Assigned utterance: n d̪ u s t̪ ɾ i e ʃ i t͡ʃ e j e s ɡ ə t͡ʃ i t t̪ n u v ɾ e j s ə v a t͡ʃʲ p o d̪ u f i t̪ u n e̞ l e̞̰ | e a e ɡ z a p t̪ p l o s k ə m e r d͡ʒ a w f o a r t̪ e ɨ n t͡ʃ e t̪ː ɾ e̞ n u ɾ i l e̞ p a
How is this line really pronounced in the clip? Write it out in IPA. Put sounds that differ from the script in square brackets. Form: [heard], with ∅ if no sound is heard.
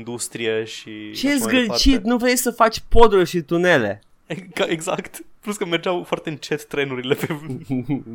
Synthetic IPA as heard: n d̪ u s t̪ ɾ i e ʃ i t͡ʃ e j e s ɡ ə t͡ʃ i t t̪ n u v ɾ e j s ə [f] a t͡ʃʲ p o d̪ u [ʃ] i t̪ u n e̞ l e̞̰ | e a e ɡ z a [k] t̪ p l [u] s k ə m e r d͡ʒ a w f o a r t̪ e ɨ n t͡ʃ e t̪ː ɾ e̞ n u ɾ i l e̞ p [e]